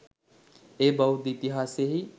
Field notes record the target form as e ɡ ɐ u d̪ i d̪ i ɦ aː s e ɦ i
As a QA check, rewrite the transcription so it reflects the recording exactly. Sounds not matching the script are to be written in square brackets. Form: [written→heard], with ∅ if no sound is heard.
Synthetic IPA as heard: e [ɡ→b] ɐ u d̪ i [d̪→t̪] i ɦ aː s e ɦ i